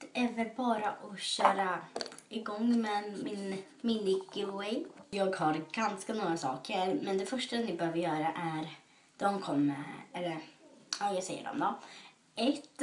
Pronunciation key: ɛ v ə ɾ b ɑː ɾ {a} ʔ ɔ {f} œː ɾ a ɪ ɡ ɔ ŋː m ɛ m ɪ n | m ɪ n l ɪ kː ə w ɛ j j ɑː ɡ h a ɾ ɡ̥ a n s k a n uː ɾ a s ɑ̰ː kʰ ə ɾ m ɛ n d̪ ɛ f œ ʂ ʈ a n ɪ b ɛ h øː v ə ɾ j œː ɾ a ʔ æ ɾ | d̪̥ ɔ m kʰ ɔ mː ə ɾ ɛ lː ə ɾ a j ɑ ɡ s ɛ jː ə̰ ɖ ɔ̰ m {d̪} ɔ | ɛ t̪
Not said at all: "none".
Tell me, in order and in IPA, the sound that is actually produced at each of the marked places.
a, ɕ, d̪

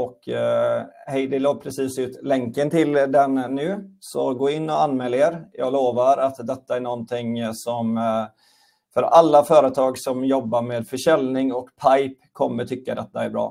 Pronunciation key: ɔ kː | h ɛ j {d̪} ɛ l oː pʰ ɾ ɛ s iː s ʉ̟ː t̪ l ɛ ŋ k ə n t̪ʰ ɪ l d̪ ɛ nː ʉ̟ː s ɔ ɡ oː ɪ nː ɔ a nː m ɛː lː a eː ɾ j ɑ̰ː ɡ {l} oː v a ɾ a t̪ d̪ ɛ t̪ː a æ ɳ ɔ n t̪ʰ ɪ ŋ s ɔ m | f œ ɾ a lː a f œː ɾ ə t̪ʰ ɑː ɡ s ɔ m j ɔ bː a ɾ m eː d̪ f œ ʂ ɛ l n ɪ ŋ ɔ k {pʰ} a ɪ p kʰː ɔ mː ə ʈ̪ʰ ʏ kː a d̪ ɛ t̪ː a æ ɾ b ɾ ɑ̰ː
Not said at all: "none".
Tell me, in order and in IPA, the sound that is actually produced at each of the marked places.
d̪, l, pʰ

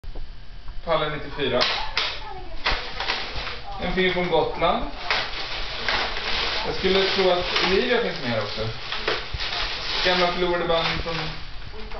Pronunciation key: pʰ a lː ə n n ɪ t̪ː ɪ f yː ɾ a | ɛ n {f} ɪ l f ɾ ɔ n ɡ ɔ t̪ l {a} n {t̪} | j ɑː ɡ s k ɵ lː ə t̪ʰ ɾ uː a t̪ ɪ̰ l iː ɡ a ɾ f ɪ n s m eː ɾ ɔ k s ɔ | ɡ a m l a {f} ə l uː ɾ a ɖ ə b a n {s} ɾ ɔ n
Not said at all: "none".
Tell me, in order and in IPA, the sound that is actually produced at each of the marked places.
f, a, d̪, f, f

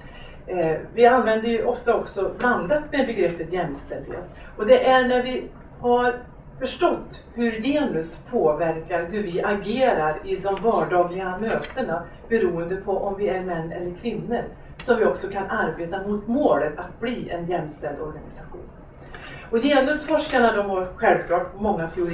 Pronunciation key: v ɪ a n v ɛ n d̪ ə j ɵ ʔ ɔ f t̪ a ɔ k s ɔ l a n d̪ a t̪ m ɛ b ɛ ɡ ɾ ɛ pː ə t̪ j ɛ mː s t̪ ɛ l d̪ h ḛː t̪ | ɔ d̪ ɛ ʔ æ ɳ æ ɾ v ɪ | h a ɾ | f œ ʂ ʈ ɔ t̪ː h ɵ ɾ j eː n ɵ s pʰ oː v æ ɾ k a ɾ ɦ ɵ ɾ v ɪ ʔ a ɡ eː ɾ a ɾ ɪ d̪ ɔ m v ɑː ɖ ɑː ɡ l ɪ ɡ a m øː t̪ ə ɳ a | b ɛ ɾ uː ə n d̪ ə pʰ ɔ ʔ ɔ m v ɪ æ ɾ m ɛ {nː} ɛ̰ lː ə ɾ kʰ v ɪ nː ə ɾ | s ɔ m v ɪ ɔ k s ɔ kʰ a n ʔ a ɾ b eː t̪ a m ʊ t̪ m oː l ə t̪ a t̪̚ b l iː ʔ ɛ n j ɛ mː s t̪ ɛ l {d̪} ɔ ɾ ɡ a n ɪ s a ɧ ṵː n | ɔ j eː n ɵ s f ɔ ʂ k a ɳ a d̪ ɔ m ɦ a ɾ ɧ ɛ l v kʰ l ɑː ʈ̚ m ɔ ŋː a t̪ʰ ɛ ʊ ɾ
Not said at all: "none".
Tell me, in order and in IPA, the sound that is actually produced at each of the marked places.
nː, d̪

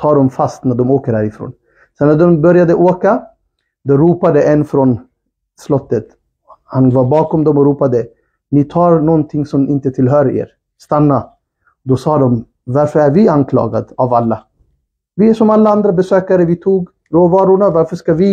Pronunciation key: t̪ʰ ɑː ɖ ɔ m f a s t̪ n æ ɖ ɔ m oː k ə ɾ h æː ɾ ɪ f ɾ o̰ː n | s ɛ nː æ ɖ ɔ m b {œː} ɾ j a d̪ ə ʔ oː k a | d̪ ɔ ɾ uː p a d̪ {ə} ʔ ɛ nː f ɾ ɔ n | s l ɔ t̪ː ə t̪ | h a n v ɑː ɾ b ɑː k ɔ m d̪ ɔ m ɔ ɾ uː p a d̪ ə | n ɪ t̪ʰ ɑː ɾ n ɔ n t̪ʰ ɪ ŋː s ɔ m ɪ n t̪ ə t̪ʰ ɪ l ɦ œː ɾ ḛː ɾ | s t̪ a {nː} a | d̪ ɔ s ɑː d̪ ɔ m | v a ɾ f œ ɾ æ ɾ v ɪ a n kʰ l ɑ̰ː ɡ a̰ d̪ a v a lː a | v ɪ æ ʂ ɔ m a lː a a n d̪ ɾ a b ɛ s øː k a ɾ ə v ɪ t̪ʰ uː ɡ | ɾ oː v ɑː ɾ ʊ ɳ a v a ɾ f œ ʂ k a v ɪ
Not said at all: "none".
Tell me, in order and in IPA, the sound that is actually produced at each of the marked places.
œ, ə, nː

